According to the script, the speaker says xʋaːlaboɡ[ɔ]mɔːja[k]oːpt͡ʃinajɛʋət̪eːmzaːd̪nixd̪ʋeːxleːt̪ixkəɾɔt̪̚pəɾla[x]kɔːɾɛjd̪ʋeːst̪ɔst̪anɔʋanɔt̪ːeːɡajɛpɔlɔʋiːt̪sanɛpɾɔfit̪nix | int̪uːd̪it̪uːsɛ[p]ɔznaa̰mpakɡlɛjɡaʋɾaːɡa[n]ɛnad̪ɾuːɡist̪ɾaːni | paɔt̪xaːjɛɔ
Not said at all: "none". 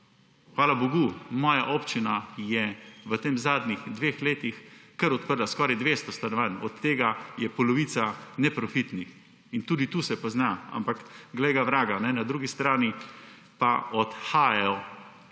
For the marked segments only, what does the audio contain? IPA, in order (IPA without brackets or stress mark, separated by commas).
u, ʔ, s, p, n